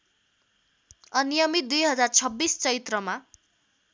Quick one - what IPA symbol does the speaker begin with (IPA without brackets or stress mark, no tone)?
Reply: ʌ